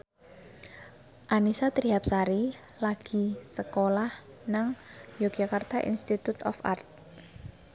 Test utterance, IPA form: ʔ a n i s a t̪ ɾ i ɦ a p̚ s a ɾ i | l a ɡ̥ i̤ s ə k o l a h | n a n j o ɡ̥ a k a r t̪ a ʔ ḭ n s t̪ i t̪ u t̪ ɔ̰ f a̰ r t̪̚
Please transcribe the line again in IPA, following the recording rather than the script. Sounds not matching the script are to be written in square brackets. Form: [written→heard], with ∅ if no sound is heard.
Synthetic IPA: ʔ a n i s a t̪ ɾ i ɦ a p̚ s a ɾ i | l a ɡ̥ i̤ s ə k o l a h | n a [n→ŋ] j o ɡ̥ a k a r t̪ a ʔ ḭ n s t̪ i t̪ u t̪ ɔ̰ f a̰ r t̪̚